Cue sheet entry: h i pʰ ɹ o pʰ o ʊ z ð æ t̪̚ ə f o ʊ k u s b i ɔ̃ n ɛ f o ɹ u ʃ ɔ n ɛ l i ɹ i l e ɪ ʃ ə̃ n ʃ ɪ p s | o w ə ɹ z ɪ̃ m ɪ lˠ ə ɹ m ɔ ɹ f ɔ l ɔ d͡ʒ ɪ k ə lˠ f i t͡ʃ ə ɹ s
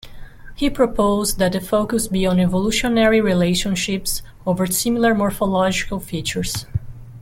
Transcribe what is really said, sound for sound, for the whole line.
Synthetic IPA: h i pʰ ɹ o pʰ o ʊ z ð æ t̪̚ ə f o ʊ k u s b i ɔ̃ n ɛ v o l u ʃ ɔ n ɛ ɹ i ɹ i l e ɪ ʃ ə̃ n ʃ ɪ p s | o v ə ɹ s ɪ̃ m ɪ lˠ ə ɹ m ɔ ɹ f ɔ l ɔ d͡ʒ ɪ k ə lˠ f i t͡ʃ ə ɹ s